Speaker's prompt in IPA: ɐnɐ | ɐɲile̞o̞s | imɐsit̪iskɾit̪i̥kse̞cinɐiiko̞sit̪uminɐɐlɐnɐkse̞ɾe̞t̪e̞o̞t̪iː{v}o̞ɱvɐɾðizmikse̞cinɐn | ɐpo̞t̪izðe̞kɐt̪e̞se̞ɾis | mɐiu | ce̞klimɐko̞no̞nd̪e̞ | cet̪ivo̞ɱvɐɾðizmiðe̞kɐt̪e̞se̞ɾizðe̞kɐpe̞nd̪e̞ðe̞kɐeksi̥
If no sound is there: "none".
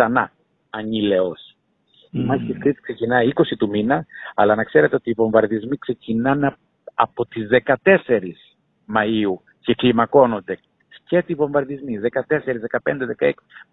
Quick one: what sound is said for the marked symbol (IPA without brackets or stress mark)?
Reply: v